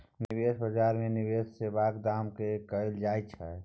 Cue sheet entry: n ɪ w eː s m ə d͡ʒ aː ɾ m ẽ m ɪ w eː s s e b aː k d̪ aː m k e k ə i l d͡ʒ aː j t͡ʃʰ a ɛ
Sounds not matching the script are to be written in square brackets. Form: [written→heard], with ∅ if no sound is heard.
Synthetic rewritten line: n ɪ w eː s [m→b] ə d͡ʒ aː ɾ m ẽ [m→n] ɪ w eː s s e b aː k d̪ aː m k e k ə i l d͡ʒ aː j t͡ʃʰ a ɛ